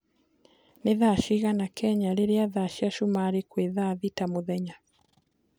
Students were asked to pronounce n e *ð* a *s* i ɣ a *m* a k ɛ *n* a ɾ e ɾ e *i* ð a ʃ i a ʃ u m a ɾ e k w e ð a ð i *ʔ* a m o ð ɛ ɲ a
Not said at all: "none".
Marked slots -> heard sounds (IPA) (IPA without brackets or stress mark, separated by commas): ð, ʃ, n, ɲ, a, t